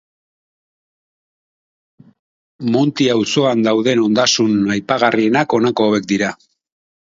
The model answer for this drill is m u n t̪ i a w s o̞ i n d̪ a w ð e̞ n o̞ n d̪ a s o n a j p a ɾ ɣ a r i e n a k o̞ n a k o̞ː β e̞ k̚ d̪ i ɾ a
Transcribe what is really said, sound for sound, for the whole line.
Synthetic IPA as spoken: m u n t̪ i a w s o̞ a n d̪ a w ð e̞ n o̞ n d̪ a s u n a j p a ɣ a r i e n a k o̞ n a k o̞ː β e̞ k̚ d̪ i ɾ a